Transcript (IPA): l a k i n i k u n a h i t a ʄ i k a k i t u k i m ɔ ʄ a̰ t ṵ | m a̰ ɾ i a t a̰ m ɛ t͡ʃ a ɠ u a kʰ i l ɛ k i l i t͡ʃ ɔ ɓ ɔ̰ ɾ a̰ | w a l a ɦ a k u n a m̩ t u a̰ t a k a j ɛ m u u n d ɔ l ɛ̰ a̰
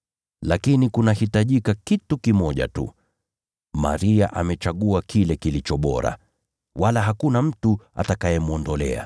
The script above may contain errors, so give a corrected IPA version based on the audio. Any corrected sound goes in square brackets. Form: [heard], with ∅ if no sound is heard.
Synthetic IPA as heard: l a k i n i k u n a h i t a ʄ i k a k i t u k i m ɔ ʄ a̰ t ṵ | m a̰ ɾ i a [ʔ] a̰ m ɛ t͡ʃ a ɠ u a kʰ i l ɛ k i l i t͡ʃ ɔ ɓ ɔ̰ ɾ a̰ | w a l a ɦ a k u n a m̩ t u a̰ t a k a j ɛ m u [ɔ] n d ɔ l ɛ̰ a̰